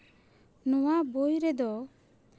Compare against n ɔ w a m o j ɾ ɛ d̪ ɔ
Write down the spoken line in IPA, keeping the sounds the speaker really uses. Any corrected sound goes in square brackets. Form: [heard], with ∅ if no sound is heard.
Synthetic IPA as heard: n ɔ w a [b] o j ɾ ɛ d̪ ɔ